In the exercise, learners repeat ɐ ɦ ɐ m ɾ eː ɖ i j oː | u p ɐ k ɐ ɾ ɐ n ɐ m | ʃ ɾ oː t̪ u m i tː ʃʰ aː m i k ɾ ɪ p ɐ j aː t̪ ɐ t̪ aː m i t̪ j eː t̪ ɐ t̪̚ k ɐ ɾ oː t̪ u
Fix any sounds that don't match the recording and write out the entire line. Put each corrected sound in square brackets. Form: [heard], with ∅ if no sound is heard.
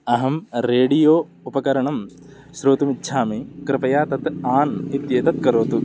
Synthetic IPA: ɐ ɦ ɐ m ɾ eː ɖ i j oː | u p ɐ k ɐ ɾ ɐ [ɳ] ɐ m | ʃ ɾ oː t̪ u m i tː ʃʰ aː m i k ɾ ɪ p ɐ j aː t̪ ɐ t̪ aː [n] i t̪ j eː t̪ ɐ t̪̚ k ɐ ɾ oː t̪ u